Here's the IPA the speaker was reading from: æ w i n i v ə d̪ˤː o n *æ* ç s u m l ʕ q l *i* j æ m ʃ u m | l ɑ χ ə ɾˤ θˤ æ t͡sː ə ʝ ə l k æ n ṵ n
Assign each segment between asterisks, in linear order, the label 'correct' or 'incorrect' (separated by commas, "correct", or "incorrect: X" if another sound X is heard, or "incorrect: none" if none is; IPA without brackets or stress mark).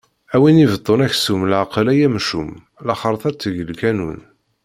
correct, incorrect: æ